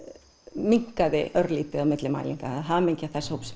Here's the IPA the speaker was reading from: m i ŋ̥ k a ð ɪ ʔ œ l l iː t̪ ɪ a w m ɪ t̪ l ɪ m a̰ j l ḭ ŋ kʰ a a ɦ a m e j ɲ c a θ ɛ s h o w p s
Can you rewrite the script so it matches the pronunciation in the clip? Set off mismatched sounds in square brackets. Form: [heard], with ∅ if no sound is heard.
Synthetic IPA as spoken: m i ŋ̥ k a ð ɪ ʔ œ [ɾ] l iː t̪ ɪ a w m ɪ t̪ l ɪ m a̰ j l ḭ ŋ [k] a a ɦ a m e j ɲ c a θ ɛ s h o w p s